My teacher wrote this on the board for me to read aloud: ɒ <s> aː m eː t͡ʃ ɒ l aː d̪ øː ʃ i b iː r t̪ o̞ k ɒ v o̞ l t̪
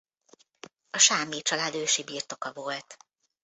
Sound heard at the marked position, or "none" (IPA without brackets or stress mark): ʃ